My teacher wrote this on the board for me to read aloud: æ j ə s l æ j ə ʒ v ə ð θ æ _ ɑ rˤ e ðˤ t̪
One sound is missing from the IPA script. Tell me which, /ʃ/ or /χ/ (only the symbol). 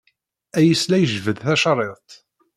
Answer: ʃ